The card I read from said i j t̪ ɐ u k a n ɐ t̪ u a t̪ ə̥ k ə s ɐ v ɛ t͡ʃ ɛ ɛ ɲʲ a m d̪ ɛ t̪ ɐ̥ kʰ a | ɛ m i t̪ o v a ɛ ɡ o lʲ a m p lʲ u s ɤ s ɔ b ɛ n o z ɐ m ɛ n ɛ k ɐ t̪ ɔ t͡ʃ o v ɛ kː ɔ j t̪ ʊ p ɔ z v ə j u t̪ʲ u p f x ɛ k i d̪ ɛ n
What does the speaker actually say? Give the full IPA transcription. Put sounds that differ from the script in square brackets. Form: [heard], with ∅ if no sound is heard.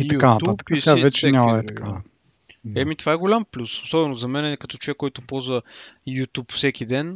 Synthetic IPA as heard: i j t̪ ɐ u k a n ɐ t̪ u a t̪ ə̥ k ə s [a] v ɛ t͡ʃ ɛ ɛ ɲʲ a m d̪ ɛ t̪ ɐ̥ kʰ a | ɛ m i t̪ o v a ɛ ɡ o lʲ a m p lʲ u s [o] s ɔ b ɛ n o z ɐ m ɛ n ɛ k ɐ t̪ ɔ t͡ʃ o v ɛ kː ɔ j t̪ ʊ p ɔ z v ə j u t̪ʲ u p f [s] ɛ k i d̪ ɛ n